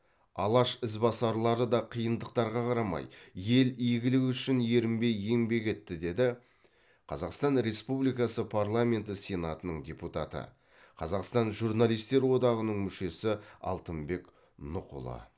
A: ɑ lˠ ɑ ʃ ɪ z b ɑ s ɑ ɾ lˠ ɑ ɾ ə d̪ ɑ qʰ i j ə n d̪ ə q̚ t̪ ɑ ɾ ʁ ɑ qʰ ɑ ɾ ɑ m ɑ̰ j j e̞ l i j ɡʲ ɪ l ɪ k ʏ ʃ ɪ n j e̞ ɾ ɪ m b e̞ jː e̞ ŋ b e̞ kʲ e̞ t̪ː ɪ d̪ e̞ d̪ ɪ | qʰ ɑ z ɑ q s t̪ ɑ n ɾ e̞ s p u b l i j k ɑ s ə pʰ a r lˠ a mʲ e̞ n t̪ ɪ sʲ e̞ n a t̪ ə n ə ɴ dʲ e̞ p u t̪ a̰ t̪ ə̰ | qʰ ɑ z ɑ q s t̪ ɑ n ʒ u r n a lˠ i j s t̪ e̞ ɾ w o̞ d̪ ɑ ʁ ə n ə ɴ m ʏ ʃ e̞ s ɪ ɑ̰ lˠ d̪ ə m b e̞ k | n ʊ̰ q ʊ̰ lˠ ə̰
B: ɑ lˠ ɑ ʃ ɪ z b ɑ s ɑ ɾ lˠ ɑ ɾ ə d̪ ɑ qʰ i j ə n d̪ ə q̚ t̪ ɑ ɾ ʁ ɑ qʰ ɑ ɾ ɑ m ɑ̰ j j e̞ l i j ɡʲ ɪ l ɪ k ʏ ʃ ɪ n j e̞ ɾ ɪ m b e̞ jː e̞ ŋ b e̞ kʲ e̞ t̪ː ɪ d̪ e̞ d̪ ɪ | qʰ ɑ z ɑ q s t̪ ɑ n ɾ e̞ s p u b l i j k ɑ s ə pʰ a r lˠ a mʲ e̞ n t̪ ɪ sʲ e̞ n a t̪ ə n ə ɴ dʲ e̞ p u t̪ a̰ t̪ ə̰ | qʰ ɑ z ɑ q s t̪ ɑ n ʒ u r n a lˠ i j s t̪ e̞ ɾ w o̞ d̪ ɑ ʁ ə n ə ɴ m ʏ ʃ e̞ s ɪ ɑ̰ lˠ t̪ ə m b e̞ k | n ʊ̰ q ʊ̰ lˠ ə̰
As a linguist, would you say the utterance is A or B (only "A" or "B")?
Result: B